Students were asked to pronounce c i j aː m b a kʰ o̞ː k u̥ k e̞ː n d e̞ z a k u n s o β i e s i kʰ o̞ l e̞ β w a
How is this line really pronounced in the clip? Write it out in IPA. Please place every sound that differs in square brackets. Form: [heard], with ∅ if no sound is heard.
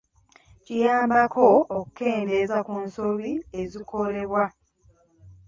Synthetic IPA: c i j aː m b a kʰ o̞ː k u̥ k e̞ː n d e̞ z a k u n s o β i e [z] i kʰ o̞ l e̞ β w a